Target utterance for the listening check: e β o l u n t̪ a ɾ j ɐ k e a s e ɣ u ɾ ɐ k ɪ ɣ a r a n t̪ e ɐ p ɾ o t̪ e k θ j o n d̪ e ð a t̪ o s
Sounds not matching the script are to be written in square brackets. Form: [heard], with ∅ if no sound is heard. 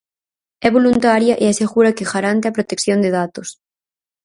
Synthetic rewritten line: [ɛ] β o l u n t̪ a ɾ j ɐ [ʔ] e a s e ɣ u ɾ ɐ k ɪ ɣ a [ɾ] a n t̪ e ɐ p ɾ o t̪ e k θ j o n d̪ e ð a t̪ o s